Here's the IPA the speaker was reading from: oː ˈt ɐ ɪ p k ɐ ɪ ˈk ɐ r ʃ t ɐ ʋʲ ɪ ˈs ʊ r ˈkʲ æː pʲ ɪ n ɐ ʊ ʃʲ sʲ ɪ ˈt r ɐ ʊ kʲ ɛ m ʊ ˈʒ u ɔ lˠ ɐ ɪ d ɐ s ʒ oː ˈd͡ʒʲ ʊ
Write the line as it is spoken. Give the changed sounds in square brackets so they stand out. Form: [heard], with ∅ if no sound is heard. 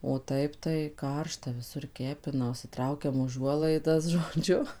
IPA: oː ˈt ɐ ɪ p [t] ɐ ɪ ˈk ɐ r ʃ t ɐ ʋʲ ɪ ˈs ʊ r ˈkʲ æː pʲ ɪ n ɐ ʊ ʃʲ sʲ ɪ ˈt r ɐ ʊ kʲ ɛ m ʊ ˈʒ u ɔ lˠ ɐ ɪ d ɐ s ʒ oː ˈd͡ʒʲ ʊ